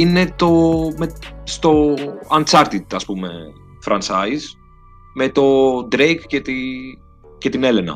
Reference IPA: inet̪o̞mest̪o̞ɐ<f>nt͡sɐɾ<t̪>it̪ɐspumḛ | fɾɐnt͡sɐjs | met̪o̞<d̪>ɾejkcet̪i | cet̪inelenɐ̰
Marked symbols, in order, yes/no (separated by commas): no, yes, yes